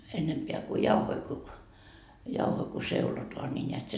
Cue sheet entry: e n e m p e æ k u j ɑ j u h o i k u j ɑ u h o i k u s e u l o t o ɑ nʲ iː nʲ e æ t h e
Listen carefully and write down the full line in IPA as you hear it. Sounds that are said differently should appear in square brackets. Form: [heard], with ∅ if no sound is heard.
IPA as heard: e [nː] e m p e æ k u j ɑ [∅] u h o i k u j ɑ u h o i k u s e u l o t o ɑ nʲ [i] nʲ e æ t [s] e